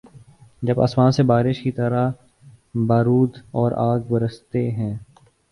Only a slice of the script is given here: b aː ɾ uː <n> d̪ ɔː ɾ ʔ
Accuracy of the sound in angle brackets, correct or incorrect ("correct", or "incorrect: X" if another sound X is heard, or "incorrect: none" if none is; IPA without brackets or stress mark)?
incorrect: none